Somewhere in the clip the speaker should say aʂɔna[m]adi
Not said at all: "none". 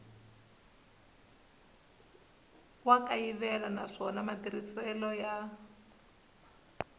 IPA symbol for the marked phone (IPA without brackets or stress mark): m